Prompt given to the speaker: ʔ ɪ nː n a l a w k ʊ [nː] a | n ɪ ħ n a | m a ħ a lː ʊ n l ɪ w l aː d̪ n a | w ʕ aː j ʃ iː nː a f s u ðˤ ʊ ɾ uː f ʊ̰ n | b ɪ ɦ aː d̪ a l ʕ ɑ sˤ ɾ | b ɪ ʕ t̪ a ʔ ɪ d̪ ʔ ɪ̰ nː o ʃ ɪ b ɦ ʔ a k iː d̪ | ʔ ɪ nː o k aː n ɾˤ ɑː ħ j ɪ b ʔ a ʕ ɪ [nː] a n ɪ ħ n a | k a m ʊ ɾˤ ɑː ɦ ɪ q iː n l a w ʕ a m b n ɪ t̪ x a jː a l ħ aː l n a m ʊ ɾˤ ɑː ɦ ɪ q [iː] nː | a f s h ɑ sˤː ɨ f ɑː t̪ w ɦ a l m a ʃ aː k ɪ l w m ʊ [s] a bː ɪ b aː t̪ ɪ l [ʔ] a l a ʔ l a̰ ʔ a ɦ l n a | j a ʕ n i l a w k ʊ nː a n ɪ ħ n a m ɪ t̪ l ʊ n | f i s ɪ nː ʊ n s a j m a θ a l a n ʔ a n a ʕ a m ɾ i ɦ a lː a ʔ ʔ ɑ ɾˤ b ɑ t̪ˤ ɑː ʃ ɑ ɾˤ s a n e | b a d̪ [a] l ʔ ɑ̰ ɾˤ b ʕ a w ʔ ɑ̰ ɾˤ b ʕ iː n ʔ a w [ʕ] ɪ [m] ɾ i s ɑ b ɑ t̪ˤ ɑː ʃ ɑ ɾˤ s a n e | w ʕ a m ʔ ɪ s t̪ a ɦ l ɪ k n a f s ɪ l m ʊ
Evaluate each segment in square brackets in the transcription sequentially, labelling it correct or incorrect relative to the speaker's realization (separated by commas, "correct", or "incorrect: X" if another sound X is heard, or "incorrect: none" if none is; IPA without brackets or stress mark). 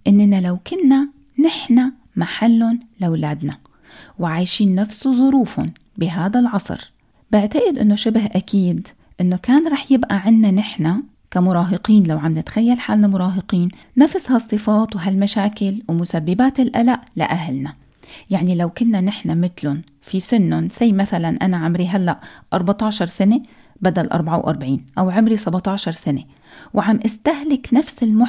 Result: correct, correct, correct, correct, correct, correct, correct, correct